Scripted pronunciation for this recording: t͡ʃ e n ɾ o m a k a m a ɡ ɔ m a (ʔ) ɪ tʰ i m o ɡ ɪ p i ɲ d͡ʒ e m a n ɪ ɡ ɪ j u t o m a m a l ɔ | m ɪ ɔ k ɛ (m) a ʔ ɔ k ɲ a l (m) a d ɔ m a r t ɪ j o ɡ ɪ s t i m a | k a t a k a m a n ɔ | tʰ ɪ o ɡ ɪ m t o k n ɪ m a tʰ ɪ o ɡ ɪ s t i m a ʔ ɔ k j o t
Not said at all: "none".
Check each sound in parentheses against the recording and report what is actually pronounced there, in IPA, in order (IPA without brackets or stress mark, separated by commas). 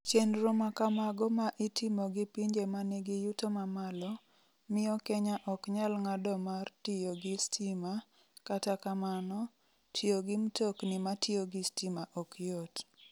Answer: ʔ, ɲ, ŋ